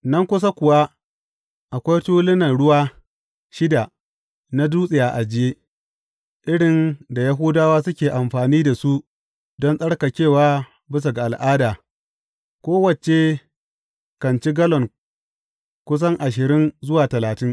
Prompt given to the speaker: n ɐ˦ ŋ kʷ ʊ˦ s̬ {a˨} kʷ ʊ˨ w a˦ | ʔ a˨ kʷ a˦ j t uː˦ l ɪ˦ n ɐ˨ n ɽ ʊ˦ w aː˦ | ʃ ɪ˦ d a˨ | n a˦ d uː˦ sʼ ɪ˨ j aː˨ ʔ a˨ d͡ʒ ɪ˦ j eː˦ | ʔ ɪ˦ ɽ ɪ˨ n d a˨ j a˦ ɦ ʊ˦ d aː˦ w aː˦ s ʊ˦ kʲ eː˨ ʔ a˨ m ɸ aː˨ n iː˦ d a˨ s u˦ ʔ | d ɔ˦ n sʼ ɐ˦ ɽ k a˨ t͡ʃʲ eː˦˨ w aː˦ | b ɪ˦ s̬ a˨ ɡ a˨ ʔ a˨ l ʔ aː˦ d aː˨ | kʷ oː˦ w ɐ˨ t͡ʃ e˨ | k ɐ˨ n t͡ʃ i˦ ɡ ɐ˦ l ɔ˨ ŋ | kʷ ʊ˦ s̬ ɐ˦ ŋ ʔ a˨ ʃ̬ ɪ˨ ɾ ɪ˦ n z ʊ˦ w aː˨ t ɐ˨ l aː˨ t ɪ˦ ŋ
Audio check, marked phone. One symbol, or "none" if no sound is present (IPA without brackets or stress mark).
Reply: a˦